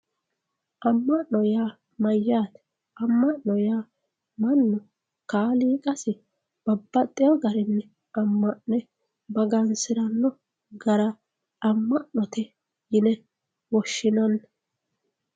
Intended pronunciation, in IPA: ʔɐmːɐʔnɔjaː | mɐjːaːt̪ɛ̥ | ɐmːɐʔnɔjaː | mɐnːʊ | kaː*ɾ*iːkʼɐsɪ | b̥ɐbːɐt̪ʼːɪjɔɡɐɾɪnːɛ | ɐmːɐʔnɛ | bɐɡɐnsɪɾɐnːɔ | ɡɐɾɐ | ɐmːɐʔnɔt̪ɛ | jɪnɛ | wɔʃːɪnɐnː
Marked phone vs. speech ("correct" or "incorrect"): incorrect